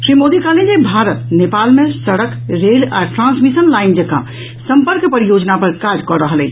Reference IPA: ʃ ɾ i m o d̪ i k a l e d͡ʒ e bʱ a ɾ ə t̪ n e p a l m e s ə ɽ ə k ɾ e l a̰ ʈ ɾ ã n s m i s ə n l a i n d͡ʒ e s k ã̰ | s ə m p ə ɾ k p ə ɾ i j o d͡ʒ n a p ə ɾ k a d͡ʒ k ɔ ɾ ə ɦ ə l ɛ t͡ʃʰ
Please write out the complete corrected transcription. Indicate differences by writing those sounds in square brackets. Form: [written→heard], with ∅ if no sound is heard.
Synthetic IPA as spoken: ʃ ɾ i m o d̪ i k a l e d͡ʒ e bʱ a ɾ ə t̪ n e p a l m e s ə ɽ ə k ɾ e l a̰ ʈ ɾ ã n s m i s ə n l a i n d͡ʒ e [s→∅] k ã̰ | s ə m p ə ɾ k p ə ɾ i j o d͡ʒ n a p ə ɾ k a d͡ʒ k ɔ ɾ ə ɦ ə l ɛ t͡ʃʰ